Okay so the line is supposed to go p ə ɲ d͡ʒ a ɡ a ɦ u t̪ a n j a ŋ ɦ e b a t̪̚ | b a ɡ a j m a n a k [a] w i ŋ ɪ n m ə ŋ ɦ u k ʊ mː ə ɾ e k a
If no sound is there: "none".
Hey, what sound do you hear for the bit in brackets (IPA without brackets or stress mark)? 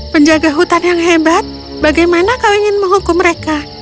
a